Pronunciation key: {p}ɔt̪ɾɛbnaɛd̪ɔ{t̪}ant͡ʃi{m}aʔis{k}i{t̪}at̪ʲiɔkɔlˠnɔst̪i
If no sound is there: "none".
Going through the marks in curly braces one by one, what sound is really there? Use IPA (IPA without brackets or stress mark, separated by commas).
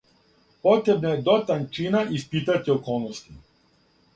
p, t̪, n, p, t̪